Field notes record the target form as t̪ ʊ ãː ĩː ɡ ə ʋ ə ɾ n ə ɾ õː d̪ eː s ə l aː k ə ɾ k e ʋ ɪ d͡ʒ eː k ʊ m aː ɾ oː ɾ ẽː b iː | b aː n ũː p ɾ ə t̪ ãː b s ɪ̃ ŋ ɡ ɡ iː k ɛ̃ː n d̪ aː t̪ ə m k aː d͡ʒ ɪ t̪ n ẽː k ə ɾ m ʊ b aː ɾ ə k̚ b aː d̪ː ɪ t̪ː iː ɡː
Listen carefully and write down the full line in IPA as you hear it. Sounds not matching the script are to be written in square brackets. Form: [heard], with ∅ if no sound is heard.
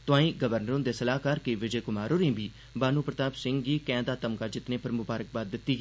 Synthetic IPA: t̪ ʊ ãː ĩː ɡ ə ʋ ə ɾ n ə ɾ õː d̪ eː s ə l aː k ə ɾ k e ʋ ɪ d͡ʒ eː k ʊ m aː ɾ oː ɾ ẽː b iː | b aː n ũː p ɾ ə t̪ [aː] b s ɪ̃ ŋ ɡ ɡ iː k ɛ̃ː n d̪ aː t̪ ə m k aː d͡ʒ ɪ t̪ n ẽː [p] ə ɾ m ʊ b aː ɾ ə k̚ b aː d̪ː ɪ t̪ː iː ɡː

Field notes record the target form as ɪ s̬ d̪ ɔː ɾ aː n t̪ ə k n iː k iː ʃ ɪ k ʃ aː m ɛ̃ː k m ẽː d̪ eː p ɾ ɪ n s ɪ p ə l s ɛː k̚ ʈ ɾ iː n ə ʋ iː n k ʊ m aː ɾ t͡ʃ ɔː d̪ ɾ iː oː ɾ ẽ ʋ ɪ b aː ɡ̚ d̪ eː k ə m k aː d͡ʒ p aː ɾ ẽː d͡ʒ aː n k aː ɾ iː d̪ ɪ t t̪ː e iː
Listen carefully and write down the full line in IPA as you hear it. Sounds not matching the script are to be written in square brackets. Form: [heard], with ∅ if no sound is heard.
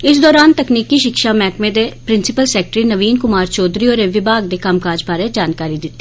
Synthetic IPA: ɪ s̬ d̪ ɔː ɾ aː n t̪ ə k n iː k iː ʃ ɪ k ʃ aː m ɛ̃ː k m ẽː d̪ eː p ɾ ɪ n s ɪ p ə l s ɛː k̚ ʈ ɾ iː n ə ʋ iː n k ʊ m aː ɾ t͡ʃ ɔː d̪ ɾ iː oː ɾ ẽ ʋ ɪ b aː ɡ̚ d̪ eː k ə m k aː d͡ʒ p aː ɾ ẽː d͡ʒ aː n k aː ɾ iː d̪ ɪ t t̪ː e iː

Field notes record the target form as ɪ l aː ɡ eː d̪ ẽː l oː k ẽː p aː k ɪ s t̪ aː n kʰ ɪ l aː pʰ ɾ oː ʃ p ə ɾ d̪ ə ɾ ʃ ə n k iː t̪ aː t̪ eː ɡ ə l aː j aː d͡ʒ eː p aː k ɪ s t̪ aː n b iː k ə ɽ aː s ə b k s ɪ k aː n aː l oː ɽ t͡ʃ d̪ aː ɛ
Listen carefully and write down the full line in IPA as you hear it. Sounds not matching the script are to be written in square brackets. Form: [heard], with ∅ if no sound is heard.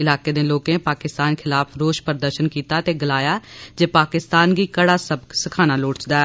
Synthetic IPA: ɪ l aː [k] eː d̪ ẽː l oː k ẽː p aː k ɪ s t̪ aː n kʰ ɪ l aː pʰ ɾ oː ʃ p ə ɾ d̪ ə ɾ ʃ ə n k iː t̪ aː t̪ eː ɡ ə l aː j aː d͡ʒ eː p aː k ɪ s t̪ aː n [ɡ] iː k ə ɽ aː s ə b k s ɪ [kʰ] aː n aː l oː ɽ t͡ʃ d̪ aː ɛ

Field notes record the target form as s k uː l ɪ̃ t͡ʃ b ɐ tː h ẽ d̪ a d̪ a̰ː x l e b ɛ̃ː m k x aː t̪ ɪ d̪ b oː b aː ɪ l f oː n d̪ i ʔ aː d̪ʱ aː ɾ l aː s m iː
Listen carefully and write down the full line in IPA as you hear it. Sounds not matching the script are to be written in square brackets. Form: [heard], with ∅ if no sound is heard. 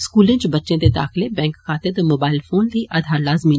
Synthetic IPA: s k uː l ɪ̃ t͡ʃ b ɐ tː [ʃ] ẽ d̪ [e] d̪ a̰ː x l e b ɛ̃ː [ŋ] k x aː t̪ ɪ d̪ [m] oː b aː ɪ l f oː n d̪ i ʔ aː d̪ʱ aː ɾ l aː [z] m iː

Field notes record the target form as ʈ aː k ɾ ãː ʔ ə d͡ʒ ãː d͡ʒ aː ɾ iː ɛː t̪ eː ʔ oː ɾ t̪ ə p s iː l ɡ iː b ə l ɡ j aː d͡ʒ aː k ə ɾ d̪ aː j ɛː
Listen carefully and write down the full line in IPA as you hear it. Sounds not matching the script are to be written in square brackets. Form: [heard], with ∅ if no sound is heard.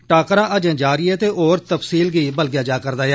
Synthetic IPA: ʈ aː k ɾ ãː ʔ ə d͡ʒ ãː d͡ʒ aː ɾ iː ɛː t̪ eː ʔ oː ɾ t̪ ə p s iː l ɡ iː b ə l ɡ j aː d͡ʒ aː k ə ɾ d̪ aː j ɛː

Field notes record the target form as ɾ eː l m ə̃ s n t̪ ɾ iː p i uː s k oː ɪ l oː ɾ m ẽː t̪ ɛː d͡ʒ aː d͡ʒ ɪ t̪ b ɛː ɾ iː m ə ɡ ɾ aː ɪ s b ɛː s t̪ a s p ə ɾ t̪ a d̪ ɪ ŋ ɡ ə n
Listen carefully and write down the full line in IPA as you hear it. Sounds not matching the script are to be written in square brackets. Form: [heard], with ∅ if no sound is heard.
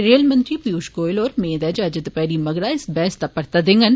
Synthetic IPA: ɾ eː l m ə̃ [∅] n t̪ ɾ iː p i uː [ʃ] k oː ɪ l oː ɾ m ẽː [d̪] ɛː d͡ʒ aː d͡ʒ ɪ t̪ [p] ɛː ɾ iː m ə ɡ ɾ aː ɪ s b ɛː s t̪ a [∅] p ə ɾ t̪ a d̪ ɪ ŋ ɡ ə n

